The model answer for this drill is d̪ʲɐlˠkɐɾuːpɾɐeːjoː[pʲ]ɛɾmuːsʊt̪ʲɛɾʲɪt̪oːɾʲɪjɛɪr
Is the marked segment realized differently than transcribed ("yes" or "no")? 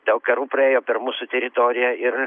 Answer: no